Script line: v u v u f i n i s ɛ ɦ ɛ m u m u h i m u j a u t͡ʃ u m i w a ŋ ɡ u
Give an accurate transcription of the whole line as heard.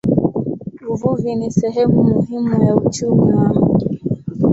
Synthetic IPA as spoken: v u v u v i n i s ɛ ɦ ɛ m u m u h i m u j a u t͡ʃ u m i w a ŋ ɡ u